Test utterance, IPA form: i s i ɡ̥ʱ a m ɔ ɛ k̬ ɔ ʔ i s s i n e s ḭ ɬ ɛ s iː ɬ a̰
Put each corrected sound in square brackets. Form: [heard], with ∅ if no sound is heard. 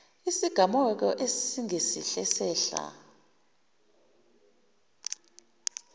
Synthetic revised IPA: i s i ɡ̥ʱ a m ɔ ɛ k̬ ɔ ʔ [e] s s i [ŋ] e s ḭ ɬ ɛ s [ɛː] ɬ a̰